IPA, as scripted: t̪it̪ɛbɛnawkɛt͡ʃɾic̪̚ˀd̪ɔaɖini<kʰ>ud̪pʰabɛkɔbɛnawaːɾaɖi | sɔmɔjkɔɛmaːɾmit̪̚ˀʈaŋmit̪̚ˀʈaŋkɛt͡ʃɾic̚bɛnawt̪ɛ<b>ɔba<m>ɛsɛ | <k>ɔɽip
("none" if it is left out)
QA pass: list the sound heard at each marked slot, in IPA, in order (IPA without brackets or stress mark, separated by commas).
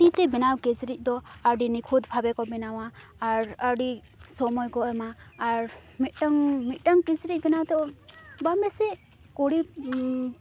kʰ, none, m, k